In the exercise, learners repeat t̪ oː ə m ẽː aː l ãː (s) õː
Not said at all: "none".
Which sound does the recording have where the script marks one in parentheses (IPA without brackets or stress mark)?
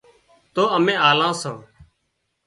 s